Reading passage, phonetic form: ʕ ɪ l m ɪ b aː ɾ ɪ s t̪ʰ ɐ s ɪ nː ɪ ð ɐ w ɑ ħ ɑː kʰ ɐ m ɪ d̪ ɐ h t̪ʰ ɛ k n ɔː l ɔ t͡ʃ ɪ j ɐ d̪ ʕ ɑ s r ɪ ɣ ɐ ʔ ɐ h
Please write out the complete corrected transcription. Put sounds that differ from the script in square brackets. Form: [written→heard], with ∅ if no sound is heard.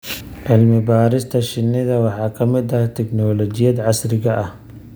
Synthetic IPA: ʕ ɪ l m ɪ b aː ɾ ɪ s t̪ʰ ɐ [s→ʃ] ɪ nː ɪ ð ɐ w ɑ ħ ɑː kʰ ɐ m ɪ d̪ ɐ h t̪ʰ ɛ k n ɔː l ɔ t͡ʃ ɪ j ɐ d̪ ʕ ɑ s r ɪ ɣ ɐ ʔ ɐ h